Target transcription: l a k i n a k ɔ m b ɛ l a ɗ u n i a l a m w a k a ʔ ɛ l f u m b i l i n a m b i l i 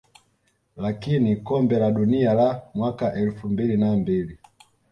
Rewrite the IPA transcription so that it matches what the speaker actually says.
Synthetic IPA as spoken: l a k i n i k ɔ m b ɛ l a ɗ u n i a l a m w a k a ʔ ɛ l f u m b i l i n a m b i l i

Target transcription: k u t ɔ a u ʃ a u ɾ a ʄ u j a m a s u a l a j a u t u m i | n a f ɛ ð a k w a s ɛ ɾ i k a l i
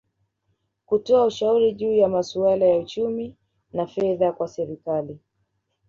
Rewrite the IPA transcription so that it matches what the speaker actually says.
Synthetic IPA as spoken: k u t ɔ a u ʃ a u ɾ i ʄ uː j a m a s u a l a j a u t͡ʃ u m i | n a f ɛ ð a k w a s ɛ ɾ i k a l i

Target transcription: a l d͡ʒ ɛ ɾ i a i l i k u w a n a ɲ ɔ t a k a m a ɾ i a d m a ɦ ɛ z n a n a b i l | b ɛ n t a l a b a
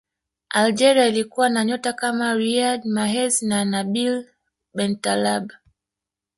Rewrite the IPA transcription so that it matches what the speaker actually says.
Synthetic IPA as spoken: a l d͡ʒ ɛ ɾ i a i l i k u w a n a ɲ ɔ t a k a m a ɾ i a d m a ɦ ɛ z n a n a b i l | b ɛ n t a l a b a

